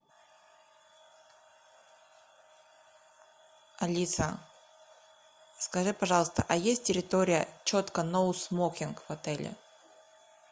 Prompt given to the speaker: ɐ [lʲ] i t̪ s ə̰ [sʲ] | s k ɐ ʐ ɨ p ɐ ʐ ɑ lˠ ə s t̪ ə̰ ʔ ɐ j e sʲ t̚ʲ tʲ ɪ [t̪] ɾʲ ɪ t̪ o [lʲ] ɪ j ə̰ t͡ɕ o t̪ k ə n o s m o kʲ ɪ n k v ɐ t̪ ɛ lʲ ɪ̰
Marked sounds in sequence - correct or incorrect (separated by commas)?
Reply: correct, incorrect, incorrect, incorrect